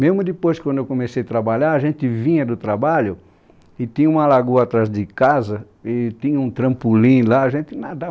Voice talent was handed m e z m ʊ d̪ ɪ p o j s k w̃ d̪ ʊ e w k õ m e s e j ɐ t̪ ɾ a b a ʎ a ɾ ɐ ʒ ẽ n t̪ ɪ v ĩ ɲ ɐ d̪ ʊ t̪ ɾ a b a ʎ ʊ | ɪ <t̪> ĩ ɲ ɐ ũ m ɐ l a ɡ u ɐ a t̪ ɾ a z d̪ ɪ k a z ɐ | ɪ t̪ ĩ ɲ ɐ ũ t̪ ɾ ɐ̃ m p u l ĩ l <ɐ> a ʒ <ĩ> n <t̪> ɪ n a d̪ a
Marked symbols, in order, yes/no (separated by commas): yes, no, no, yes